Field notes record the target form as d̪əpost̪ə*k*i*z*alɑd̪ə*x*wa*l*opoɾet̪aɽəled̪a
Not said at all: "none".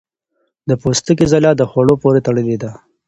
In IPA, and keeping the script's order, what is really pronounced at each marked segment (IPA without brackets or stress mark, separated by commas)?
k, z, x, ɽ